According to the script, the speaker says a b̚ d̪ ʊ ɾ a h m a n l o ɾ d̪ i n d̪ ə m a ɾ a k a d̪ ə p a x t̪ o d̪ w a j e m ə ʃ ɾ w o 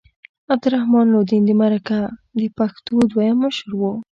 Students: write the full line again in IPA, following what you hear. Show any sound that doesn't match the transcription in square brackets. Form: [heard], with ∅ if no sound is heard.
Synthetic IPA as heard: a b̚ d̪ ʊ ɾ a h m [ɑ] n l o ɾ d̪ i n d̪ ə m a ɾ a k a d̪ ə p a x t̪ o d̪ w a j [a] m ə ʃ ɾ w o